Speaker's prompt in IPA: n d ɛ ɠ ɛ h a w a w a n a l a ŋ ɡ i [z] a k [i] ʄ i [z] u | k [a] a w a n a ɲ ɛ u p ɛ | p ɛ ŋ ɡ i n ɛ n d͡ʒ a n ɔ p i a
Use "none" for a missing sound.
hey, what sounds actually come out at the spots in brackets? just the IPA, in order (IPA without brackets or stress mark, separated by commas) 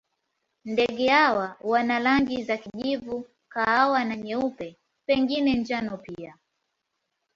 z, i, v, a